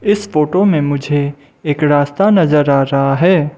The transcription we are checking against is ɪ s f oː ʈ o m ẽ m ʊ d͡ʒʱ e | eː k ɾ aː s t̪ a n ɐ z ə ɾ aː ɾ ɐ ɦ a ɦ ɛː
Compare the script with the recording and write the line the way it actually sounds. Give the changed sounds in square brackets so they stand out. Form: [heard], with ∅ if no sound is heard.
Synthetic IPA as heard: ɪ s f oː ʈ o m ẽ m ʊ d͡ʒʱ e | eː k ɾ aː s t̪ a n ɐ z ə ɾ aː ɾ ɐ ɦ a ɦ ɛː